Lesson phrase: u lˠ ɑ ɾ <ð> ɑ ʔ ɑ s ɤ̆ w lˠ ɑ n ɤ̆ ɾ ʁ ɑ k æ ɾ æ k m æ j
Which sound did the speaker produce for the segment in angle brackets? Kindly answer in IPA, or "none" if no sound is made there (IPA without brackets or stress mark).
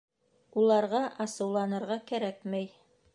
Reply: ʁ